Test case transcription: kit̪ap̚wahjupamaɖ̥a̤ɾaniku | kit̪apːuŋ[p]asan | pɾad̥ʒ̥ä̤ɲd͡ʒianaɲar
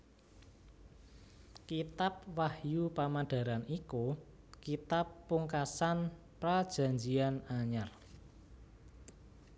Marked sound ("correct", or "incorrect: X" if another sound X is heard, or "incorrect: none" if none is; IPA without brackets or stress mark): incorrect: k